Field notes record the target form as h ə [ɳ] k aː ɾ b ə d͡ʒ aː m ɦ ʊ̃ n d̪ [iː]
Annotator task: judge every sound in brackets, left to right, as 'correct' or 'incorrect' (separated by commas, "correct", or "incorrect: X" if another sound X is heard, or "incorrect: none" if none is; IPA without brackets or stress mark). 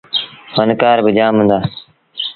incorrect: n, incorrect: aː